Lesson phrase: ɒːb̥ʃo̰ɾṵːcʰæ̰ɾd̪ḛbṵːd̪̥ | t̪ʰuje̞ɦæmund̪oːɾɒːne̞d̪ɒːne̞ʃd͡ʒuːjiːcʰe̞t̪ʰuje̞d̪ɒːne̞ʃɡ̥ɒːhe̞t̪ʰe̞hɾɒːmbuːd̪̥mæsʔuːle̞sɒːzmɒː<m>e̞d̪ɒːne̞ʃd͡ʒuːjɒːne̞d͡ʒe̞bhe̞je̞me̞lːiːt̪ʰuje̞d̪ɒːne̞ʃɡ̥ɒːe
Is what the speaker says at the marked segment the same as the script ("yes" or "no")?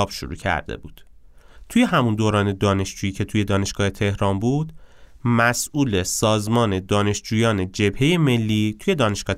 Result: no